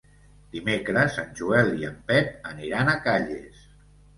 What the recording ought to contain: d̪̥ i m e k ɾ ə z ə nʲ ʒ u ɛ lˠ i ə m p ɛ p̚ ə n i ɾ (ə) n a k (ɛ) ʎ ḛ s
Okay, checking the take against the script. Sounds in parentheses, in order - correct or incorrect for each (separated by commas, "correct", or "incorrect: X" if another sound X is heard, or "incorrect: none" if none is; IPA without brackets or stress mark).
incorrect: a, incorrect: a